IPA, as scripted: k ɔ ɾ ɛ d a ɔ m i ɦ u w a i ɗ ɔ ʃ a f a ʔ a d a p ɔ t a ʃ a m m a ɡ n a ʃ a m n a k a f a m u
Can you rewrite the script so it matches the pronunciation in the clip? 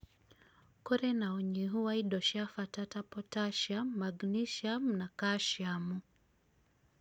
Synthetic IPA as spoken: k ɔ ɾ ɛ n a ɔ ɲ i ɦ u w a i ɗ ɔ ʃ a f a t a t a p ɔ t a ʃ a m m a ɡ n i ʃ a m n a k a ʃ a m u